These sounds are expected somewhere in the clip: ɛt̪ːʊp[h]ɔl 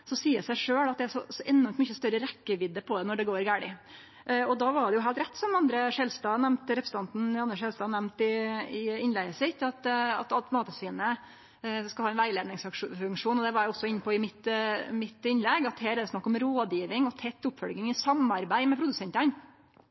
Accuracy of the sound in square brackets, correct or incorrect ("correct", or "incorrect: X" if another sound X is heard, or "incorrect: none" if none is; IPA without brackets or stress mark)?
incorrect: f